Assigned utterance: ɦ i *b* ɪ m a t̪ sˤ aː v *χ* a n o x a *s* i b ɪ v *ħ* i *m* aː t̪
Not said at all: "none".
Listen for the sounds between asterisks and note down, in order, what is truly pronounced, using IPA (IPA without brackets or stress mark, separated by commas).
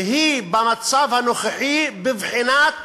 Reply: b, h, ħ, ħ, n